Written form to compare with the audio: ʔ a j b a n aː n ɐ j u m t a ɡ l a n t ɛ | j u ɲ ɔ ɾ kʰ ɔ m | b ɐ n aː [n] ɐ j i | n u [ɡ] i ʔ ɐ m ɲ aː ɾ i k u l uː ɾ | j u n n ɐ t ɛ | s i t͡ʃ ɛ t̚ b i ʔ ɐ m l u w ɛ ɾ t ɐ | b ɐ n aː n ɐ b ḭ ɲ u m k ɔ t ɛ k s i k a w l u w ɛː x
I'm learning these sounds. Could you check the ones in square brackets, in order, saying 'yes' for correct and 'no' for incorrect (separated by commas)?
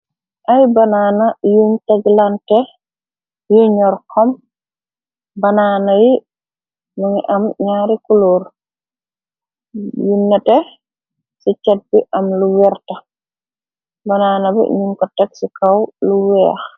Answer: yes, no